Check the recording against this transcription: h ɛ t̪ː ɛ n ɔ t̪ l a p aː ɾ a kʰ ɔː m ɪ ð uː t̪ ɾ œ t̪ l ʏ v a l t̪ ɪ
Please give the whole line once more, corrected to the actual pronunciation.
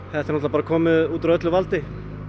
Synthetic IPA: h ɛ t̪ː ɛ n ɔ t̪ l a p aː ɾ a kʰ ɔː m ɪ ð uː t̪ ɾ œ t̪ l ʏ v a l t̪ ɪ